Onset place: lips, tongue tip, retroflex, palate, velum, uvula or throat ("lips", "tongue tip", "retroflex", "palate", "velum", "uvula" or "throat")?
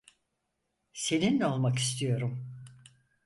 tongue tip